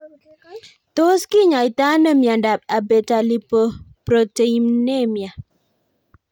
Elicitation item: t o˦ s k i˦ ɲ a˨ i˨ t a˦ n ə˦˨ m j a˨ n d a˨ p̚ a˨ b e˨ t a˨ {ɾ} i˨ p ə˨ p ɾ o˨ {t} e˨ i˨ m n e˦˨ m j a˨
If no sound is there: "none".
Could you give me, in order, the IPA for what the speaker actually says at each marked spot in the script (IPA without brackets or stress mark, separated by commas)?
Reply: l, t